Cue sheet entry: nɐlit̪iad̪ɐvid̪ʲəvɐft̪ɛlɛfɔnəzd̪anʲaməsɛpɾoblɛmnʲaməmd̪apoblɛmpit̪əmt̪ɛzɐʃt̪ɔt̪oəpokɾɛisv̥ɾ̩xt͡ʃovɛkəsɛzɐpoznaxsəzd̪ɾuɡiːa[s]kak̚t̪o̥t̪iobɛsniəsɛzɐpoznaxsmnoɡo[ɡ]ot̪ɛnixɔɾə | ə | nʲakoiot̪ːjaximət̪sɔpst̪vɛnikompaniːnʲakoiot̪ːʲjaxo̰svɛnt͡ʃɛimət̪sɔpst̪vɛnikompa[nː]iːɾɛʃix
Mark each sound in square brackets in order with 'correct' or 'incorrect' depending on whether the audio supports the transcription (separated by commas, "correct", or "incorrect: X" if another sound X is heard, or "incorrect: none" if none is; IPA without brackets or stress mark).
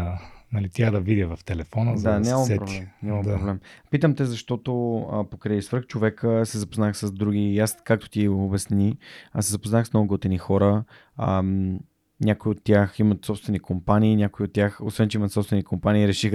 correct, correct, incorrect: n